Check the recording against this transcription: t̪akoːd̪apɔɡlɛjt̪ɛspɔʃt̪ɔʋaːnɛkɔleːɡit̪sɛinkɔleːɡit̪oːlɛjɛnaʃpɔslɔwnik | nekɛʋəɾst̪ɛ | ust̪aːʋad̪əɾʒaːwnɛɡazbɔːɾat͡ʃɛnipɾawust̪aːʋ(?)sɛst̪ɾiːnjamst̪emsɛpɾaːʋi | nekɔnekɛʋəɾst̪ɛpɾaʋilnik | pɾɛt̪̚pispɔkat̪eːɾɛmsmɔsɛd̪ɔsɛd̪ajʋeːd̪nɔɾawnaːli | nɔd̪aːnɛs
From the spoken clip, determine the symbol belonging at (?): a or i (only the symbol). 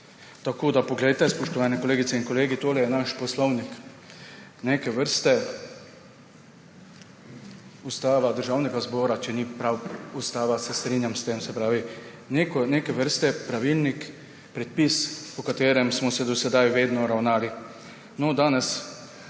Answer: a